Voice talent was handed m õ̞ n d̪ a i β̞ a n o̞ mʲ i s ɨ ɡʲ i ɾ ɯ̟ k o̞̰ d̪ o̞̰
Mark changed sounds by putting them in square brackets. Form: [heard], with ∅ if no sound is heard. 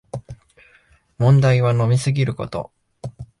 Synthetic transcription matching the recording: m õ̞ n d̪ a i β̞ a n o̞ mʲ i s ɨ ɡʲ i ɾ ɯ̟ k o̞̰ [t̪] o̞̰